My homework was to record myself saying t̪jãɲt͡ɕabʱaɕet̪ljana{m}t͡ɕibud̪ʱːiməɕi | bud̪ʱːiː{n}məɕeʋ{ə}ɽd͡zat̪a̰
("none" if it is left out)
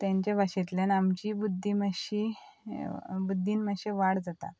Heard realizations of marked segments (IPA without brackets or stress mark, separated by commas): m, n, a